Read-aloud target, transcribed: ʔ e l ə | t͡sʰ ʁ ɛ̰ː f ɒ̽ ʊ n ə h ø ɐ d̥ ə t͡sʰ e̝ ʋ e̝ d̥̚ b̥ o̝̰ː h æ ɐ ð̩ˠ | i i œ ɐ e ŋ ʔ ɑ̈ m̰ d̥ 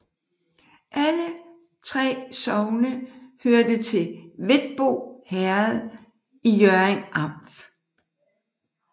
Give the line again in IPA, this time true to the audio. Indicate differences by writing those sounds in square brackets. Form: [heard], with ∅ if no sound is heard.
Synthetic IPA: ʔ [æ] l ə | t͡sʰ ʁ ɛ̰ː [s] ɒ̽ ʊ n ə h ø ɐ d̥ ə t͡sʰ e̝ ʋ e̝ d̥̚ b̥ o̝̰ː h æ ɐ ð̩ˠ | i [j] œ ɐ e ŋ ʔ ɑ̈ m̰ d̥